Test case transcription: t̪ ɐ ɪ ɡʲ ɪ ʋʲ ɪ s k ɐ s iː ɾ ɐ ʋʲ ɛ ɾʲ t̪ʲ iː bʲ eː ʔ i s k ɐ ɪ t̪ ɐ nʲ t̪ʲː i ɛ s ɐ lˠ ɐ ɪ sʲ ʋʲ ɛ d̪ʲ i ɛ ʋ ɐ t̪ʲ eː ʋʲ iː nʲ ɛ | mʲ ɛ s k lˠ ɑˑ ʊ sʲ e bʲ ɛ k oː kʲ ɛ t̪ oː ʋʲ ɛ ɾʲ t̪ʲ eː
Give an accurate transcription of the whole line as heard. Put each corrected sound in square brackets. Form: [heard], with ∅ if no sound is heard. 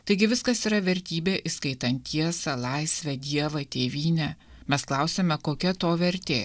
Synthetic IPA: t̪ ɐ ɪ ɡʲ ɪ ʋʲ ɪ s k ɐ s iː ɾ ɐ ʋʲ ɛ ɾʲ t̪ʲ iː bʲ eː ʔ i s k ɐ ɪ t̪ ɐ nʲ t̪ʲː i ɛ s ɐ lˠ ɐ ɪ sʲ ʋʲ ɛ d̪ʲ i ɛ ʋ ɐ t̪ʲ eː ʋʲ iː nʲ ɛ | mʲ ɛ s k lˠ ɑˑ ʊ sʲ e [mʲ] ɛ k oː kʲ ɛ t̪ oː ʋʲ ɛ ɾʲ t̪ʲ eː

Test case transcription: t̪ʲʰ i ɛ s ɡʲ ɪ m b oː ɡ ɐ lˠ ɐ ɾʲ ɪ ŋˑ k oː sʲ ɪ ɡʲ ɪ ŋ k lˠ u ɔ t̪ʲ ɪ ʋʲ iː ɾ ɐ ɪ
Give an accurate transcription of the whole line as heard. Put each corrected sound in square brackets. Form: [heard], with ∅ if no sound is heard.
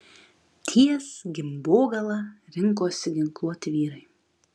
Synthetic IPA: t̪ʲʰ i ɛ s ɡʲ ɪ m b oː ɡ ɐ lˠ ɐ ɾʲ ɪ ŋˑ k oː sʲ ɪ ɡʲ ɪ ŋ k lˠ u ɔ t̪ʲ ɪ ʋʲ iː ɾ ɐ ɪ

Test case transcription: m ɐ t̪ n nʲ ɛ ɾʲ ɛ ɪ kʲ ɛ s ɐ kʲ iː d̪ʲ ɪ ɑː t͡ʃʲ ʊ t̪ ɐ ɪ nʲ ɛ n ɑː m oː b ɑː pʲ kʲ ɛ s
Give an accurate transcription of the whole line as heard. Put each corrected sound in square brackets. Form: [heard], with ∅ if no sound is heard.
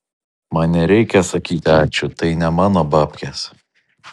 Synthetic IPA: m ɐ [∅] n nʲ ɛ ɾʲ ɛ ɪ kʲ ɛ s ɐ kʲ iː [t̪ʲ] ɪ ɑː t͡ʃʲ ʊ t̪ ɐ ɪ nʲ ɛ [m] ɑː [n] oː b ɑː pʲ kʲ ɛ s

